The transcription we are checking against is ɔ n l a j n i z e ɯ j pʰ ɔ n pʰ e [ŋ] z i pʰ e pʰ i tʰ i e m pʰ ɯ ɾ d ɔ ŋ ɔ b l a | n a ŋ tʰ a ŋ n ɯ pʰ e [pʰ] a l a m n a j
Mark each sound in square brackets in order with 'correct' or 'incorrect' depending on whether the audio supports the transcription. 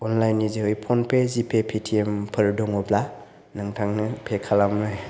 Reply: incorrect: none, incorrect: kʰ

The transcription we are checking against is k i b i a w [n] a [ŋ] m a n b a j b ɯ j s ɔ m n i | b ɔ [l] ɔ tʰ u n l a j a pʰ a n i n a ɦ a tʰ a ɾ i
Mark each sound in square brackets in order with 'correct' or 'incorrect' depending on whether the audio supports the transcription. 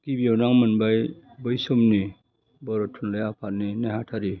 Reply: correct, correct, incorrect: ɾ

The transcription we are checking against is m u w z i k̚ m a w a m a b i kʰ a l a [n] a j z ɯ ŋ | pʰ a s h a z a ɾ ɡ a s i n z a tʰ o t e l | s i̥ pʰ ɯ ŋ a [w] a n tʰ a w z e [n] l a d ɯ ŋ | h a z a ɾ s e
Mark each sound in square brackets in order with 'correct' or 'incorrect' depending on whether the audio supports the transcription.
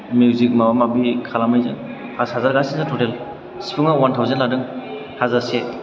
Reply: incorrect: m, correct, correct

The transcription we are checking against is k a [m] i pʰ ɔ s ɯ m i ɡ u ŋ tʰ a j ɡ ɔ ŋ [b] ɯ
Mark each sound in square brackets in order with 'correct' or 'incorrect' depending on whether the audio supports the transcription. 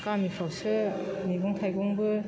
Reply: correct, correct

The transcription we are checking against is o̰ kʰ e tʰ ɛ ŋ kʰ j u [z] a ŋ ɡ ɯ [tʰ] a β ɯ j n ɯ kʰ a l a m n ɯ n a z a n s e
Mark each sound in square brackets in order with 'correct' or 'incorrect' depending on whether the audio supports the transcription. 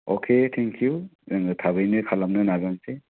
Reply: correct, correct

